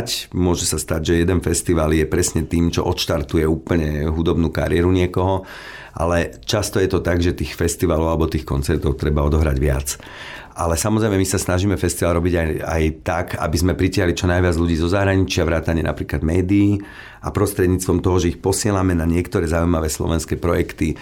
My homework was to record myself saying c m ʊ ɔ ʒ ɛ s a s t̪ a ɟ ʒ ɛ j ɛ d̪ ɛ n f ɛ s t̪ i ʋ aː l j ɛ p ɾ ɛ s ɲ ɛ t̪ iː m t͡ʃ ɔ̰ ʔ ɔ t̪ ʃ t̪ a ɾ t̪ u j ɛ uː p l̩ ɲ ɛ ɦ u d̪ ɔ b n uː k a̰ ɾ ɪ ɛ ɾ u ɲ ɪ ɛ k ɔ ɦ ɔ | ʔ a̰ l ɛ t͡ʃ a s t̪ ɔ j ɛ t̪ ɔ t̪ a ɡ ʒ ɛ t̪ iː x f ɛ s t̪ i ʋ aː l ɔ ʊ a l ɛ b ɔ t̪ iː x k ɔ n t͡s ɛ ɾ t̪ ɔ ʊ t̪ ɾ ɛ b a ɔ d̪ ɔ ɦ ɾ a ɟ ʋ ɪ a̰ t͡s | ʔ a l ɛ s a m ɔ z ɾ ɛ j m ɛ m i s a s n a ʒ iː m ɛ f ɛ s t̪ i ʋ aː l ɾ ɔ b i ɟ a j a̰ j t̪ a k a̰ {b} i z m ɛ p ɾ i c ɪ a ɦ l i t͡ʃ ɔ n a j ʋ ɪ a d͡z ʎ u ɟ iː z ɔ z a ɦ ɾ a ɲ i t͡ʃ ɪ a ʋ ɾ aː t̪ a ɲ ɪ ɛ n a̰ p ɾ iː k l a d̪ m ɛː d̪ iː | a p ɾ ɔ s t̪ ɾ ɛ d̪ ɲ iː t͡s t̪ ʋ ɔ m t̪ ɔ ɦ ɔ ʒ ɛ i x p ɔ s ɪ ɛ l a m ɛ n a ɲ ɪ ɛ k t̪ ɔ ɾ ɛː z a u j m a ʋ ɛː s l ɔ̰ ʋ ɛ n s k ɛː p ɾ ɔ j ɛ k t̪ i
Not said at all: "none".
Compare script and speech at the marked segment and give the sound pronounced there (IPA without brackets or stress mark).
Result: b